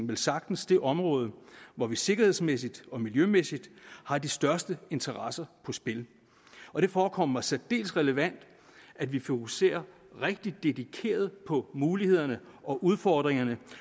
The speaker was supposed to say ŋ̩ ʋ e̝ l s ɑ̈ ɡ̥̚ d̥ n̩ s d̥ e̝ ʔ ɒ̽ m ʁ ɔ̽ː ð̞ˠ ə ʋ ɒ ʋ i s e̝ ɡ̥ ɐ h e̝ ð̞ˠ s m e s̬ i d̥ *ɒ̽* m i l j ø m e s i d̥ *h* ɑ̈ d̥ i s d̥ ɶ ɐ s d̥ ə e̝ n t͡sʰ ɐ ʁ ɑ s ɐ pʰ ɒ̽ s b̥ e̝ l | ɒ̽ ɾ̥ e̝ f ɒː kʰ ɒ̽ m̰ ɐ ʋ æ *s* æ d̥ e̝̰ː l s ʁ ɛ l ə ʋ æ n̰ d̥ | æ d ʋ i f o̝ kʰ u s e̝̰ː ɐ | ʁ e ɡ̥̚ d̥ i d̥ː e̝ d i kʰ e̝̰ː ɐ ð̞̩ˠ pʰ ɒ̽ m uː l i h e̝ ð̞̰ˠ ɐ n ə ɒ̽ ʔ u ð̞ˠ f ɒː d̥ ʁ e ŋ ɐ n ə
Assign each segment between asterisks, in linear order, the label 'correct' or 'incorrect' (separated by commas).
correct, correct, correct